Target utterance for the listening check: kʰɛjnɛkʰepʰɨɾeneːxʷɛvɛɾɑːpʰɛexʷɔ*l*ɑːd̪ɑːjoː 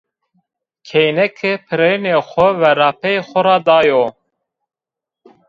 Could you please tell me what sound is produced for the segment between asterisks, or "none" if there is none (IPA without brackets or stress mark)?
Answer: ɾ